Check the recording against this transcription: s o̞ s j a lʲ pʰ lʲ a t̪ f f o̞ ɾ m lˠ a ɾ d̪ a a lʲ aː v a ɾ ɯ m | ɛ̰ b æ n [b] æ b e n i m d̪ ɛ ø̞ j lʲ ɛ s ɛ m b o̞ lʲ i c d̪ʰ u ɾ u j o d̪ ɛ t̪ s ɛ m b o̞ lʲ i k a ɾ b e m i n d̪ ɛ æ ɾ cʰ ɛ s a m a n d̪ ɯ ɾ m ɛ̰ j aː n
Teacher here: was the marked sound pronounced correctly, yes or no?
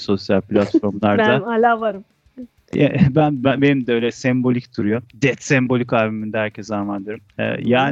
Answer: yes